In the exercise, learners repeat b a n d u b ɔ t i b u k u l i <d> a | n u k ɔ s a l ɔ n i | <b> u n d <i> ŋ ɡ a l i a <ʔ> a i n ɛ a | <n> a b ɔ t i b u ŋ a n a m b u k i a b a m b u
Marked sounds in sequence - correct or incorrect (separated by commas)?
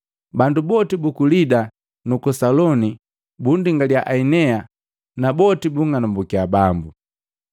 correct, correct, correct, correct, correct